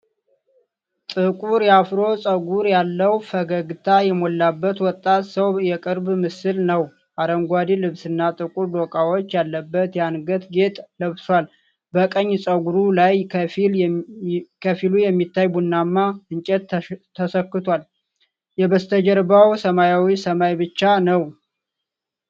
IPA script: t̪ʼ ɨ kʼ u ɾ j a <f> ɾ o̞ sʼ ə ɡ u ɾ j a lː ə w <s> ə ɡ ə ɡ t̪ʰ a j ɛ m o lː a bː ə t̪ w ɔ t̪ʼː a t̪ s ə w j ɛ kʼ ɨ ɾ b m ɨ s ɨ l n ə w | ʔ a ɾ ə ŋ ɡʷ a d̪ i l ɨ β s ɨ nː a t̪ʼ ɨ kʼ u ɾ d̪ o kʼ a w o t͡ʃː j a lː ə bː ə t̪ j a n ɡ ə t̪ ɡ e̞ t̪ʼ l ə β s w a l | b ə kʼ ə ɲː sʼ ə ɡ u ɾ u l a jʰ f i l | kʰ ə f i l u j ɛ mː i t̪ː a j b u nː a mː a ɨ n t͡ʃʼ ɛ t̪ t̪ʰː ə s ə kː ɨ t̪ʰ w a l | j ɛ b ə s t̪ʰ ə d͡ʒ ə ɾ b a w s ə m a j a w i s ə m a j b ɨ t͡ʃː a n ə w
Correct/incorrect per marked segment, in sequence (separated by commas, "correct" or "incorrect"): correct, incorrect